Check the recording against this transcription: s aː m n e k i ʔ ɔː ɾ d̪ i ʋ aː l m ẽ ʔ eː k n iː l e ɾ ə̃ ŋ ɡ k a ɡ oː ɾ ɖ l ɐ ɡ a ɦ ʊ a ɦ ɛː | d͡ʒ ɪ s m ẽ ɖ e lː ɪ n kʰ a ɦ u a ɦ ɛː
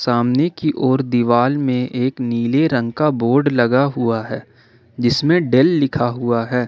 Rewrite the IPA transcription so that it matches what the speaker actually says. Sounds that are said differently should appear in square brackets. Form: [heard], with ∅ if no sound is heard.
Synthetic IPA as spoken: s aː m n e k i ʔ ɔː ɾ d̪ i ʋ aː l m ẽ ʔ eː k n iː l e ɾ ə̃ ŋ ɡ k a [b] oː ɾ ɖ l ɐ ɡ a ɦ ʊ a ɦ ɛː | d͡ʒ ɪ s m ẽ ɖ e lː ɪ [∅] kʰ a ɦ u a ɦ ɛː